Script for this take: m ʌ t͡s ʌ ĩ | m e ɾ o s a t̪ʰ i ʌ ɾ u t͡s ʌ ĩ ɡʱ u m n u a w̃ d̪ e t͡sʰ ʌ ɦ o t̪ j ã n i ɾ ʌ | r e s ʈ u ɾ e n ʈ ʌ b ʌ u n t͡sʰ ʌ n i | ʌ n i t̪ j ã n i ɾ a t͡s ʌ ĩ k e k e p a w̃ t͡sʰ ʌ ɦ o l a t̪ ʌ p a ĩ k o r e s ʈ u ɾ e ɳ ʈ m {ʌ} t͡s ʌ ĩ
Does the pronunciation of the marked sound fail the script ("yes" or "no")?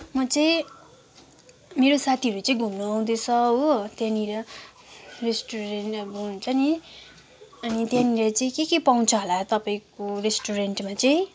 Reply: yes